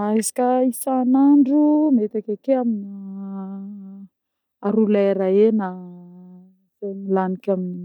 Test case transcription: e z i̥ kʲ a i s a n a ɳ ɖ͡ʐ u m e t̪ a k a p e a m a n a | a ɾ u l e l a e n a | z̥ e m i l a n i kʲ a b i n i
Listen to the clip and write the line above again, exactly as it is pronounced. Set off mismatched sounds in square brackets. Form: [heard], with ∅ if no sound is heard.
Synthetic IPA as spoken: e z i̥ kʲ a i s a n a ɳ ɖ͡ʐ u m e t̪ a k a [k] e a m [i] n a | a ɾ u l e [ɾ] a e n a | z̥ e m i l a n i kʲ a [m] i n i